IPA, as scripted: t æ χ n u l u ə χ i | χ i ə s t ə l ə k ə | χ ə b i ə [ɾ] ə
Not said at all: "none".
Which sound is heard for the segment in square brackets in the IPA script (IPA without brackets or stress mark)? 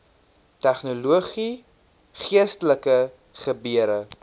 ɾ